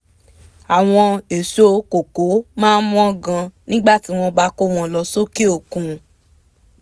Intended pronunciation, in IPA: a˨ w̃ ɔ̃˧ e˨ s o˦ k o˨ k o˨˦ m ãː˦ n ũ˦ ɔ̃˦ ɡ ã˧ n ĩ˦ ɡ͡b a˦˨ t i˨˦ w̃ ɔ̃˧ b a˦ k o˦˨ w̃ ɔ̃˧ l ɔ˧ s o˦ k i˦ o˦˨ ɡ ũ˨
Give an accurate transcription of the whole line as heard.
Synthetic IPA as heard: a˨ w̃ ɔ̃˧ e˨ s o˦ k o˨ k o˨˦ m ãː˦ m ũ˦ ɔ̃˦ ɡ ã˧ n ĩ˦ ɡ͡b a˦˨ t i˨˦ w̃ ɔ̃˧ b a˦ k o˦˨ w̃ ɔ̃˧ l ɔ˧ s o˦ k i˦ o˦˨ k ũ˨